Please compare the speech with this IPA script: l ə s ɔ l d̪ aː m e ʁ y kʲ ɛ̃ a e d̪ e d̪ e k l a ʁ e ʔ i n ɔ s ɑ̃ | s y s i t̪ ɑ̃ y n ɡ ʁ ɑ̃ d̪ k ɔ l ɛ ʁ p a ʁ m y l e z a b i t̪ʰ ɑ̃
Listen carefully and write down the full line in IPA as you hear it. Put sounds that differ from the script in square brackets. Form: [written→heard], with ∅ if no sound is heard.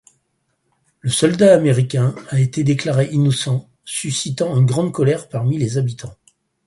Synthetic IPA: l ə s ɔ l d̪ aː m e ʁ [y→i] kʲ ɛ̃ a e [d̪→t̪] e d̪ e k l a ʁ e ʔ i n ɔ s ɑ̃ | s y s i t̪ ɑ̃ y n ɡ ʁ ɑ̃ d̪ k ɔ l ɛ ʁ p a ʁ m [y→i] l e z a b i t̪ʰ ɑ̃